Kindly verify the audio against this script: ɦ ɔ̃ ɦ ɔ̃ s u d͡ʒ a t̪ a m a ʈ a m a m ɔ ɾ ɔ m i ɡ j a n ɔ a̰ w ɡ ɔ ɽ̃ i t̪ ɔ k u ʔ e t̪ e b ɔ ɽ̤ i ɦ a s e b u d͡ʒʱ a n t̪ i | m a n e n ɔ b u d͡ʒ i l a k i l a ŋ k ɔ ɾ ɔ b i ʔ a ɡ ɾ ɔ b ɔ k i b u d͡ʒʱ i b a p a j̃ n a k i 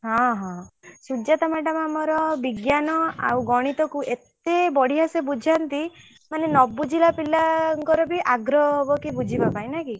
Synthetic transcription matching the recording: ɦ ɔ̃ ɦ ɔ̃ s u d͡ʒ a t̪ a m a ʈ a m a m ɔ ɾ ɔ b i ɡ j a n ɔ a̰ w ɡ ɔ ɽ̃ i t̪ ɔ k u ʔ e t̪ e b ɔ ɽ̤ i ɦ a s e b u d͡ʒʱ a n t̪ i | m a n e n ɔ b u d͡ʒ i l a p i l a ŋ k ɔ ɾ ɔ b i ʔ a ɡ ɾ ɔ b ɔ k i b u d͡ʒʱ i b a p a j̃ n a k i